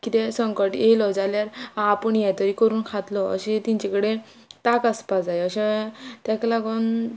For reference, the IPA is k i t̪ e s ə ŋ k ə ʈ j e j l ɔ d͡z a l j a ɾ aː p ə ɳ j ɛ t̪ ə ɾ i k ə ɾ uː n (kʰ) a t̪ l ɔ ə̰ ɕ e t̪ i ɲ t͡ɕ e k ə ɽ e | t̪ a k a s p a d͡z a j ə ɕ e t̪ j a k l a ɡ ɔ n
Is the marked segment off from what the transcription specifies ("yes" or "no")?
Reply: no